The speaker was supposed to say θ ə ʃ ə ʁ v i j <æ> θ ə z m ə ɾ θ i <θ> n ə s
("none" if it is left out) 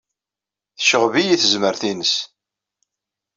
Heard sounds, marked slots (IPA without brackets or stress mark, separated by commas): i, none